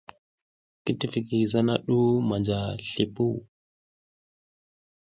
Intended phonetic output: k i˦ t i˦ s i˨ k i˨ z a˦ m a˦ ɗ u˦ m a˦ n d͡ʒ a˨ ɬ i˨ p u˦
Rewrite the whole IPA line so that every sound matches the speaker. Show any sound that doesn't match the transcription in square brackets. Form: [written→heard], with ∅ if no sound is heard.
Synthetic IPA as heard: k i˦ t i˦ [s→f] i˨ k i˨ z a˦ [m→n] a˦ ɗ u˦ m [a˦→a˨] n d͡ʒ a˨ ɬ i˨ p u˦